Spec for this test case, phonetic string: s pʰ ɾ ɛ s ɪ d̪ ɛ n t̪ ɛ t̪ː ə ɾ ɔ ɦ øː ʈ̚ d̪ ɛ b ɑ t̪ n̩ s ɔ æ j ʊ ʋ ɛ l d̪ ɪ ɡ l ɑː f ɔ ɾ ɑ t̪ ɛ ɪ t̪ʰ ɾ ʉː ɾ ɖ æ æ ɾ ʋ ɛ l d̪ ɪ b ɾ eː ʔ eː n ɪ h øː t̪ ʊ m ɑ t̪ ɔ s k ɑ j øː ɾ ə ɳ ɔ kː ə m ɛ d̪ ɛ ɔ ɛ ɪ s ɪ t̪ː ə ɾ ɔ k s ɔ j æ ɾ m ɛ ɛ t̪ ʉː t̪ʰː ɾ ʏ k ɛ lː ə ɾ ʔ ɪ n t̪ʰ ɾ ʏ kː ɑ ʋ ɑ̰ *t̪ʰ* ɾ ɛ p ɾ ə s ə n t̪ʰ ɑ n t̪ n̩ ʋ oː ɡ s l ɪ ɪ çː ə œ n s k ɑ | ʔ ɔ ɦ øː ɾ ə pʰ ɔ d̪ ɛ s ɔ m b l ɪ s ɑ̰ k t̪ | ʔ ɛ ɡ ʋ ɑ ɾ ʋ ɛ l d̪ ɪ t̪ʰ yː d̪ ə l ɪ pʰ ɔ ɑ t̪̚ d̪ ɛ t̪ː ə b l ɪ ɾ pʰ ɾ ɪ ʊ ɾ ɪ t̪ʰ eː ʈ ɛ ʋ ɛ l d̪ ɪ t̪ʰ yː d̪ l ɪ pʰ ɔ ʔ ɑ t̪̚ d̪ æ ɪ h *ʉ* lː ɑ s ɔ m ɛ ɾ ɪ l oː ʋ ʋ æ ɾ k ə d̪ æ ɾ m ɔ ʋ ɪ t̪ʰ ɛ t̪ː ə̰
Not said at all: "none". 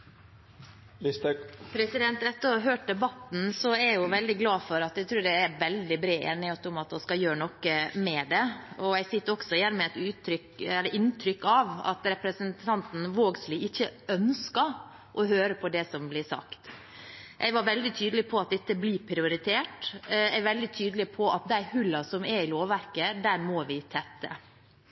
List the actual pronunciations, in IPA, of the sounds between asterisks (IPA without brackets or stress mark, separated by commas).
t̪, ʉ